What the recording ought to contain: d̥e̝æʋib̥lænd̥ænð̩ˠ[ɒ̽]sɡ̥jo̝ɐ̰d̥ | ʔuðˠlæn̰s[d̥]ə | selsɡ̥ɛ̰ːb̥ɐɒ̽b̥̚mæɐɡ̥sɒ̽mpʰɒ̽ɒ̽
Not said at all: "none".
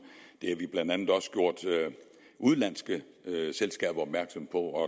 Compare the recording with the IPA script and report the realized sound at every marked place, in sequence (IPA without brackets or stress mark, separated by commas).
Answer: ɒ̽, ɡ̥